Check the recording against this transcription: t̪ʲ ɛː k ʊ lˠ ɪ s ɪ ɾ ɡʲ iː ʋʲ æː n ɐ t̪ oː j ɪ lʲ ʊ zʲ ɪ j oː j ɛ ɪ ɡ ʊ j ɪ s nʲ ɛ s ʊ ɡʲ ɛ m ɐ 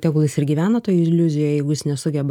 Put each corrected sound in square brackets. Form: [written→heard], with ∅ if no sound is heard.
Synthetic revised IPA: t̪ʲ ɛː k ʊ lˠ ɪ s ɪ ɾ ɡʲ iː ʋʲ æː n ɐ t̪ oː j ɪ lʲ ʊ zʲ ɪ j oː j ɛ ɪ ɡ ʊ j ɪ s nʲ ɛ s ʊ ɡʲ ɛ [m→b] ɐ